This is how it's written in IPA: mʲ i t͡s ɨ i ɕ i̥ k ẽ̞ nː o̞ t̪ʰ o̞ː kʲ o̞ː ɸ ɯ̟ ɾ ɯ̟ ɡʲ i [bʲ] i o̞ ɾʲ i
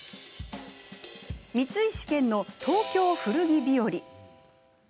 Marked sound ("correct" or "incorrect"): correct